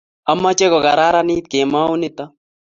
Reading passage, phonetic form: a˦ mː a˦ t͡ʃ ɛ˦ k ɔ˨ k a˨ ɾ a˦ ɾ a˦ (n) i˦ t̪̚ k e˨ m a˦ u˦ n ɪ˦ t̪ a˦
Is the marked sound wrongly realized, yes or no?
no